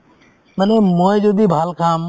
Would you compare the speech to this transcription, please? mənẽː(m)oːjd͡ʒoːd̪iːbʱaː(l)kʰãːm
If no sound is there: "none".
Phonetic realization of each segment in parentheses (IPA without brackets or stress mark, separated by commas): m, l